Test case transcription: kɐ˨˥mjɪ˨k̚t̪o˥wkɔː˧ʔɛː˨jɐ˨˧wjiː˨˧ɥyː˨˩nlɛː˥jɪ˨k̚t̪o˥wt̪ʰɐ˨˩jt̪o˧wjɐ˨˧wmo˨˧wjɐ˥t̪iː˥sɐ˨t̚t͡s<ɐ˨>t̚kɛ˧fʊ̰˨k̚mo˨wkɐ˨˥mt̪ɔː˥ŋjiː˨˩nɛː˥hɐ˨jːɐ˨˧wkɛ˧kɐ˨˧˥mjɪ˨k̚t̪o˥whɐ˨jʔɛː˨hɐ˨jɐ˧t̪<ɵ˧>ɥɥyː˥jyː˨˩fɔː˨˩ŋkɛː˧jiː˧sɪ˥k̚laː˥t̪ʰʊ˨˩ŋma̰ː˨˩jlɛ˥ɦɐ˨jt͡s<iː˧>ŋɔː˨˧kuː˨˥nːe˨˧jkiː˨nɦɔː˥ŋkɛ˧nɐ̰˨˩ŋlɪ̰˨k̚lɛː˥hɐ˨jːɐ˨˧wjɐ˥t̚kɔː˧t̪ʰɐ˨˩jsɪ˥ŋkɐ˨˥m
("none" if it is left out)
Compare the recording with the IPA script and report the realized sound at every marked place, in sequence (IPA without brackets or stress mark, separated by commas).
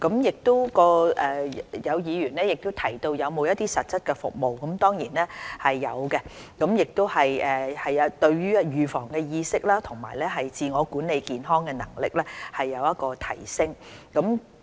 ɐ˥, ɵ˧, iː˧